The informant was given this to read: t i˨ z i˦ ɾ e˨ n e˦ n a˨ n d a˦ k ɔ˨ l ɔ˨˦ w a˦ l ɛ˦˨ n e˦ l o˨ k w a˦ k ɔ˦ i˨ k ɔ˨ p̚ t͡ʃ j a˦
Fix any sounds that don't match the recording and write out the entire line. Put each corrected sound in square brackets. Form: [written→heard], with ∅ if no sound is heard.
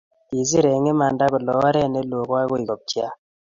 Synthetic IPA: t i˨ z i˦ ɾ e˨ [n→ŋ] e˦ [n→m] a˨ n d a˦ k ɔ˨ l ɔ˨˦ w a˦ [l→ɾ] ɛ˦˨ n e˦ l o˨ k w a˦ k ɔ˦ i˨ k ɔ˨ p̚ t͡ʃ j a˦